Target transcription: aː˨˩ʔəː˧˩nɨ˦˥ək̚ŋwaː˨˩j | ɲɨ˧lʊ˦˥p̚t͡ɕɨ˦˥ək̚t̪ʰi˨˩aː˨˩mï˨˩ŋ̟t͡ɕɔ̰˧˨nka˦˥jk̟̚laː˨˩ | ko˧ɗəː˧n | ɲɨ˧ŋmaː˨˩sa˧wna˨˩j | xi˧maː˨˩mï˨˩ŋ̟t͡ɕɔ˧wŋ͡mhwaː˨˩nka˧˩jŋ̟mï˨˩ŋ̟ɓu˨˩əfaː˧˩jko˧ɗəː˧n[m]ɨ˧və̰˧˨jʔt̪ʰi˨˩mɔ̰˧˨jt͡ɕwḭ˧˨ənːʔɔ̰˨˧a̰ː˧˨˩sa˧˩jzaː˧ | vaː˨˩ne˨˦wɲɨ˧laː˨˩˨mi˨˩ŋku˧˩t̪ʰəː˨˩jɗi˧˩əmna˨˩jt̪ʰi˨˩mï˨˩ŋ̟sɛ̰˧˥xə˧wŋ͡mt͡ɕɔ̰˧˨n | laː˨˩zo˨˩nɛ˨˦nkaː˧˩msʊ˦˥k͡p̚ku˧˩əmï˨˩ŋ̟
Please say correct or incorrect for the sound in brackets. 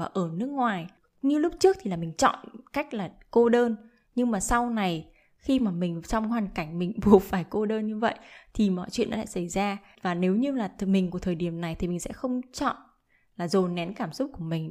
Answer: incorrect